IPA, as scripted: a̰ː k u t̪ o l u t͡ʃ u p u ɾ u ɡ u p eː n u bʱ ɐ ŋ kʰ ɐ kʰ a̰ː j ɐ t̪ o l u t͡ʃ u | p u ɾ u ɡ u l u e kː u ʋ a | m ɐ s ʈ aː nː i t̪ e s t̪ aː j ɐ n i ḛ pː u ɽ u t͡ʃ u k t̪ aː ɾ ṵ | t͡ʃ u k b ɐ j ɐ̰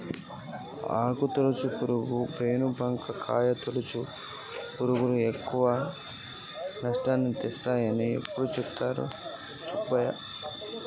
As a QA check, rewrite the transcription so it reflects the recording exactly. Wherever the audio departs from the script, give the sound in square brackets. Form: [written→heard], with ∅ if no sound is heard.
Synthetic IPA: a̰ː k u t̪ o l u t͡ʃ u p u ɾ u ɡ u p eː n u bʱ ɐ ŋ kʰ ɐ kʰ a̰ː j ɐ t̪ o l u t͡ʃ u | p u ɾ u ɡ u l u e kː u ʋ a | [m→n] ɐ [s→ʂ] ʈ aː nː i t̪ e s t̪ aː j ɐ n i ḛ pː u ɽ u t͡ʃ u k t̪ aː ɾ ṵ | t͡ʃ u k b ɐ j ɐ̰